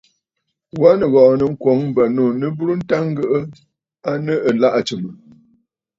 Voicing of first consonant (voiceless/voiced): voiced